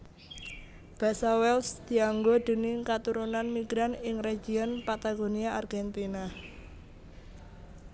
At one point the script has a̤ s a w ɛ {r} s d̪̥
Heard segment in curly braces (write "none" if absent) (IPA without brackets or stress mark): l